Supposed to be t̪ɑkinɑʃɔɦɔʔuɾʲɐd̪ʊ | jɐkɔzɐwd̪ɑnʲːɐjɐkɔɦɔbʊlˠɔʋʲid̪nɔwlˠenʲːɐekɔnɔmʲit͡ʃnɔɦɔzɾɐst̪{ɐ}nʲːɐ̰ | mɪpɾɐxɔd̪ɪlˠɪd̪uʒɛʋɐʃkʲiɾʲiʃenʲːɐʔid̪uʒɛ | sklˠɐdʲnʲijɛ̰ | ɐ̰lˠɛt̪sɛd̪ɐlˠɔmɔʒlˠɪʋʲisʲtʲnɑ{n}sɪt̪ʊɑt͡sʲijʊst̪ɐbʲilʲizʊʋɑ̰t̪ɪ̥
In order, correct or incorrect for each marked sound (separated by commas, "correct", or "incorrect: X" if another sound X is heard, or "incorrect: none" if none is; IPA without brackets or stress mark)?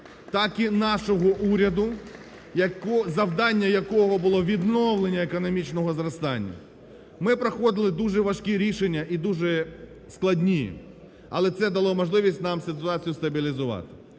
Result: incorrect: ɑ, incorrect: m